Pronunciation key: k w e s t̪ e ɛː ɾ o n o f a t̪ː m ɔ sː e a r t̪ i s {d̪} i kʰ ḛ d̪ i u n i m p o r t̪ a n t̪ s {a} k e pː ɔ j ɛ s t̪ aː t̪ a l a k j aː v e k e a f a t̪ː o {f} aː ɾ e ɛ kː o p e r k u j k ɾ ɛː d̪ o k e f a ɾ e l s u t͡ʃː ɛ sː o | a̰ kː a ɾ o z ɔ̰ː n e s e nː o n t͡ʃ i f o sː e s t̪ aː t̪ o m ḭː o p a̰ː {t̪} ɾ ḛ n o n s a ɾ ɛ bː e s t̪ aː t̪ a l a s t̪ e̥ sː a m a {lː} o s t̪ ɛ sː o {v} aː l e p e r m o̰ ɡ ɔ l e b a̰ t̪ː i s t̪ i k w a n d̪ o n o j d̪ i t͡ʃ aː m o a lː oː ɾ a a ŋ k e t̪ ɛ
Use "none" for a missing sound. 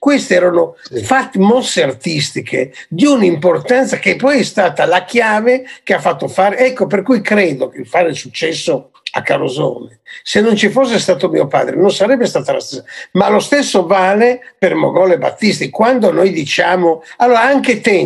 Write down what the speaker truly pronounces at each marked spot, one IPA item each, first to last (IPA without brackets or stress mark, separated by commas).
t̪, a, f, d̪, l, v